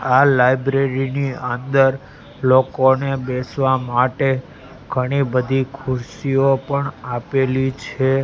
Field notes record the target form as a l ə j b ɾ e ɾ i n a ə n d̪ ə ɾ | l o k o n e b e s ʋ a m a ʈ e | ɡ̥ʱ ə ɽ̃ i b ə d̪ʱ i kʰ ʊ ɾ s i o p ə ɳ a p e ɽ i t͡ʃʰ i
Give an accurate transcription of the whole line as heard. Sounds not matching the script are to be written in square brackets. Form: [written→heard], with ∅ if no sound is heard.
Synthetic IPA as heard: a l [ə→a] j b ɾ e ɾ i n [a→i] ə n d̪ ə ɾ | l o k o n e b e s ʋ a m a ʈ e | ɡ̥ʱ ə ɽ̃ i b ə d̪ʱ i kʰ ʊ ɾ s i o p ə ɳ a p e [ɽ→l] i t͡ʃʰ [i→e]